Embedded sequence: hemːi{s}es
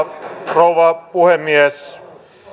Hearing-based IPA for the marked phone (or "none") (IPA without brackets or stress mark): none